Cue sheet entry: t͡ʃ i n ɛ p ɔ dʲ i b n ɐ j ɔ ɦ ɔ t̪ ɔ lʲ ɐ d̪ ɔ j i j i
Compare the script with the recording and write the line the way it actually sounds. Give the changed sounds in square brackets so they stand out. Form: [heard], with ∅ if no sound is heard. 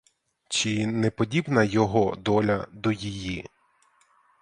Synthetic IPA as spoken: t͡ʃ i n ɛ p ɔ dʲ i b n ɐ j ɔ ɦ ɔ [d̪] ɔ lʲ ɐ d̪ ɔ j i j i